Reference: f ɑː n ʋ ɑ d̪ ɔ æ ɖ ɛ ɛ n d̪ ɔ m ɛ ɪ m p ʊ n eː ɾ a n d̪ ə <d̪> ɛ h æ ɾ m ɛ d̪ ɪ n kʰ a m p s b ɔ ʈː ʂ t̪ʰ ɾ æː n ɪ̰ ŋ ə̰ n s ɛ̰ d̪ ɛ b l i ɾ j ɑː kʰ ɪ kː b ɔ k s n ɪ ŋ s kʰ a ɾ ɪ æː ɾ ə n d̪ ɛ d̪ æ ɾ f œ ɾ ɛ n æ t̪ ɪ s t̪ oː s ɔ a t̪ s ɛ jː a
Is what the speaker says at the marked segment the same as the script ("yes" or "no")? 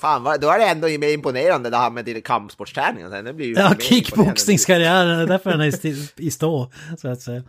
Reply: yes